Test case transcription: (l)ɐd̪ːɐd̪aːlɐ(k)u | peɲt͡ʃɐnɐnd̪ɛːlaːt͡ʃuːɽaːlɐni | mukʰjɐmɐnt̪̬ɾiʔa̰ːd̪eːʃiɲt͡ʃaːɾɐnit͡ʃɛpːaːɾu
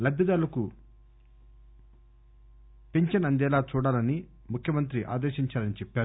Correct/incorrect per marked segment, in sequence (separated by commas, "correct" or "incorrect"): correct, correct